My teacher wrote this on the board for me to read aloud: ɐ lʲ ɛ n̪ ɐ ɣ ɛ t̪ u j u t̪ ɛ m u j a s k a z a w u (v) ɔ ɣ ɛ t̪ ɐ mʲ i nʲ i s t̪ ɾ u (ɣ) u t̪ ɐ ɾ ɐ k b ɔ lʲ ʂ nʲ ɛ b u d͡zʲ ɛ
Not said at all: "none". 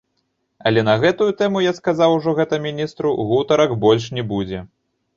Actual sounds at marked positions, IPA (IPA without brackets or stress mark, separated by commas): ʐ, ɣ